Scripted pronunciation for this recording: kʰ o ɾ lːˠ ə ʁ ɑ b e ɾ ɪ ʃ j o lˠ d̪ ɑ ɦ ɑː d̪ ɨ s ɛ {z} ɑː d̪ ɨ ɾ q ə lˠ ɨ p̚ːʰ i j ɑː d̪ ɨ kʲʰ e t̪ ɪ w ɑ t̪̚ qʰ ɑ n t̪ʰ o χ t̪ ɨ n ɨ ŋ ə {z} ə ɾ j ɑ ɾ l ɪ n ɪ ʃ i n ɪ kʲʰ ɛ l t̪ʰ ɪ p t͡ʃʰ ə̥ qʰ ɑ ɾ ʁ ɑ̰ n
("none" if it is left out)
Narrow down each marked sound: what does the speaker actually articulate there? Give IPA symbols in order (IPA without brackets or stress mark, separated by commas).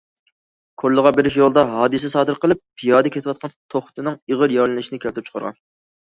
s, ʁ